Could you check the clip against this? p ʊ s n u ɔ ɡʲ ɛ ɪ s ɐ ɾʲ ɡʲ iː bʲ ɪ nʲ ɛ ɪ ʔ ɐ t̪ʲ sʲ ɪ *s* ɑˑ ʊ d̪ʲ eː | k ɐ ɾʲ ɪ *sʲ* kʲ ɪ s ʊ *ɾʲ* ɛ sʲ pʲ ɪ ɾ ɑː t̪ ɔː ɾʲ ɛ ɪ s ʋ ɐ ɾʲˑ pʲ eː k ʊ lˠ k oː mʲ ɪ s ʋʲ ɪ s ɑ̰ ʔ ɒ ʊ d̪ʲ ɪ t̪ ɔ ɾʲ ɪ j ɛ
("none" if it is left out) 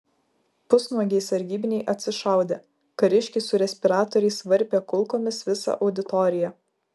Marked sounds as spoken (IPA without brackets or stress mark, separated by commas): ʃ, ʃʲ, ɾʲ